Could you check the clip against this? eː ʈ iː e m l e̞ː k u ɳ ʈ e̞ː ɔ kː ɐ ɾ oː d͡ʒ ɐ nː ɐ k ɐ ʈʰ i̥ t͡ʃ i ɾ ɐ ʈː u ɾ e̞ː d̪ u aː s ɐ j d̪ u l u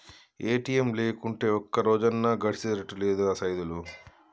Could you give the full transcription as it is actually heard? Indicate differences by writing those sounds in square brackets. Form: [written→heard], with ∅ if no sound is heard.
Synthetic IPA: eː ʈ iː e m l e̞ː k u ɳ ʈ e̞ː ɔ kː ɐ ɾ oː d͡ʒ ɐ nː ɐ [k→ɡ] ɐ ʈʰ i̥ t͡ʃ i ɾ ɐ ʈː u [ɾ→l] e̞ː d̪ u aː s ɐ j d̪ u l u